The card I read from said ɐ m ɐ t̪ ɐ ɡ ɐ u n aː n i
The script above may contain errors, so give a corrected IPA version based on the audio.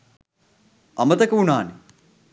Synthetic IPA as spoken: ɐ m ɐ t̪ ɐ k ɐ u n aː n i